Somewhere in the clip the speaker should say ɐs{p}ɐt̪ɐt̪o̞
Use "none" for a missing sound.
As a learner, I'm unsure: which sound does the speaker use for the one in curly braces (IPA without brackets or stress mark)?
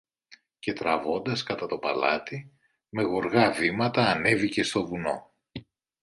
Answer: k